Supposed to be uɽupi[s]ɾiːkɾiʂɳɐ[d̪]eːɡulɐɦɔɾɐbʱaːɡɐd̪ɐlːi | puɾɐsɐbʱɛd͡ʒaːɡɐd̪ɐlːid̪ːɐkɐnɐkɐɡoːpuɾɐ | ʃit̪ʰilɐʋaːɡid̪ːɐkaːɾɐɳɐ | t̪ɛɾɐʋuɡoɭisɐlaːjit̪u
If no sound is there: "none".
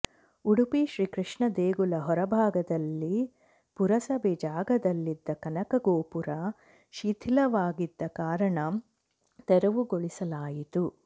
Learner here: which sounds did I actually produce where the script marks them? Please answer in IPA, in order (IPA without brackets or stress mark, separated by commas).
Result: ʃ, d̪